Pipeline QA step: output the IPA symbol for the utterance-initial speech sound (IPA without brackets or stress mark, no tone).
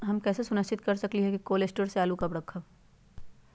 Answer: ɦ